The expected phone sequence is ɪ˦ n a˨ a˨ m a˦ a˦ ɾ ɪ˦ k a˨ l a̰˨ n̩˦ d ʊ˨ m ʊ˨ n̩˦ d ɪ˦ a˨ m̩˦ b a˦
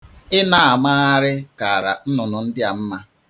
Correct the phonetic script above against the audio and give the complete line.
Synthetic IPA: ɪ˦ n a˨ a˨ m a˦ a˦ ɾ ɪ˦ k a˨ ɾ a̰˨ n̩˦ n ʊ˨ n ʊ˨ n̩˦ d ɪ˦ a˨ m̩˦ m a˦